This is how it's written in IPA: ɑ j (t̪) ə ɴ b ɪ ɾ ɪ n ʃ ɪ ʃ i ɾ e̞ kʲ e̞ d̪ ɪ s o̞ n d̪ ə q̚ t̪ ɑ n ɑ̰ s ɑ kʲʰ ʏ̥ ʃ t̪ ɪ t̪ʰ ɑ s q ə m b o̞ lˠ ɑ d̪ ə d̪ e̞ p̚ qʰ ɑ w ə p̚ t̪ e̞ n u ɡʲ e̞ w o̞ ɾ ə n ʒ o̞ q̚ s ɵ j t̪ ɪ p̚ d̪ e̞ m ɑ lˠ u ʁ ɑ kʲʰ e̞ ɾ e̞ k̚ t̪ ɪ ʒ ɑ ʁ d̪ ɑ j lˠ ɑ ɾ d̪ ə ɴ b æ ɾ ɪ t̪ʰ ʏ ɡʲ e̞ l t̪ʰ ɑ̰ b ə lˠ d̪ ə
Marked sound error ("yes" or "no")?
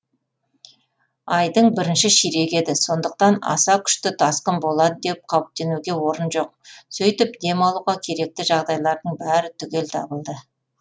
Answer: yes